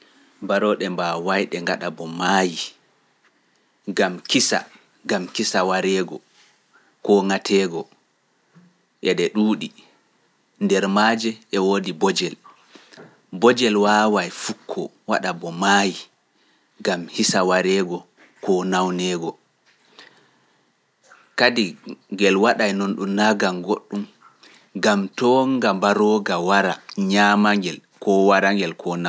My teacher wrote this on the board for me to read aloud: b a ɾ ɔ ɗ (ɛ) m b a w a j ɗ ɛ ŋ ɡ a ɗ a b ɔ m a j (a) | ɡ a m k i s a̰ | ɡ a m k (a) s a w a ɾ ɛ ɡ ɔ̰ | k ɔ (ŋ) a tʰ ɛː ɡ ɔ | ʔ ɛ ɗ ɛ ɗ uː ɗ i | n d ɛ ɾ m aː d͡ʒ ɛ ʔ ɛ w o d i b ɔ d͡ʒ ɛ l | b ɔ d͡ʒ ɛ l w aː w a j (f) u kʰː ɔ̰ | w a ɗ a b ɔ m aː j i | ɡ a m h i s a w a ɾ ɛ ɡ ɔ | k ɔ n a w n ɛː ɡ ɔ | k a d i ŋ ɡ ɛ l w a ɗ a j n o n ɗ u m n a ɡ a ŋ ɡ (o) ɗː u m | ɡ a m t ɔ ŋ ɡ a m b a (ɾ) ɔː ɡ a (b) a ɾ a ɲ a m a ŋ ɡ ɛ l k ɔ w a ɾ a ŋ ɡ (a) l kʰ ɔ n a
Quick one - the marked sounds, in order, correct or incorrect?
correct, incorrect, incorrect, correct, correct, correct, correct, incorrect, incorrect

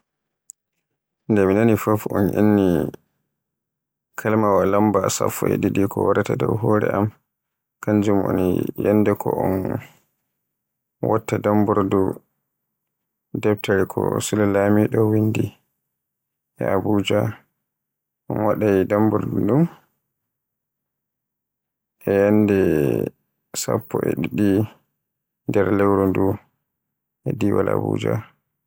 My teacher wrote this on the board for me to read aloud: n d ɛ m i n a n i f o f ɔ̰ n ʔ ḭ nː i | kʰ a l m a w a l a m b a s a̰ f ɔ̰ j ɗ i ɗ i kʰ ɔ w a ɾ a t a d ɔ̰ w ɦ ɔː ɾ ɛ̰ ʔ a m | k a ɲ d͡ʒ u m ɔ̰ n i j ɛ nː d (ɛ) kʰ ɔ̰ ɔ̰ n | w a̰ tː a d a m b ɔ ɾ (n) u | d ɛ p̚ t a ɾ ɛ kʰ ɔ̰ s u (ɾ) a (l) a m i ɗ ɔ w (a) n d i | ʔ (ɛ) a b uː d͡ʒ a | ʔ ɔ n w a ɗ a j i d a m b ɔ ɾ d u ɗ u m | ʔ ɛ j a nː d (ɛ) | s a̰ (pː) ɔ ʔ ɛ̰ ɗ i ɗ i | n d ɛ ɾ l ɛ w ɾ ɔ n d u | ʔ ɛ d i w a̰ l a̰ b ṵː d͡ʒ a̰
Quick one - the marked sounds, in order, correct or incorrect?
correct, incorrect, incorrect, correct, incorrect, correct, correct, correct

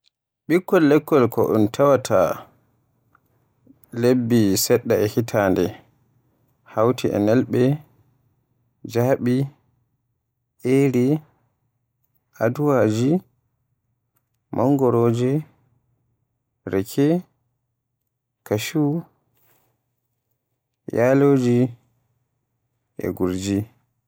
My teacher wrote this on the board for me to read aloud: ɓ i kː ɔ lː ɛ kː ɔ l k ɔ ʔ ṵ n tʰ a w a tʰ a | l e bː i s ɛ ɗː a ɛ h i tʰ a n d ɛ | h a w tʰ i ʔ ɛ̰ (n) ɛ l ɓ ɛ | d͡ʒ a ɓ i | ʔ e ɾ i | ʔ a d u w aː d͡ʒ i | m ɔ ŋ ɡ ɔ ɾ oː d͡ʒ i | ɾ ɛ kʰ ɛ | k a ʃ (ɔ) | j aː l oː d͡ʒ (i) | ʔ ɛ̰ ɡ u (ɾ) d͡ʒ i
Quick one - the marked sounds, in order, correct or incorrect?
correct, incorrect, correct, correct

